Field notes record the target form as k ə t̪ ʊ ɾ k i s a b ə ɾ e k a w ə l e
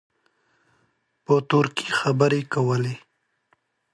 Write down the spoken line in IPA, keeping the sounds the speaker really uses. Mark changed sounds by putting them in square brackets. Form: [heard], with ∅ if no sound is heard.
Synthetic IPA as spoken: [p] ə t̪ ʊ ɾ k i [x] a b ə ɾ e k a w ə l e